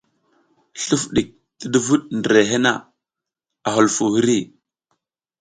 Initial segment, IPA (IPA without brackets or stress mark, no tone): ɬ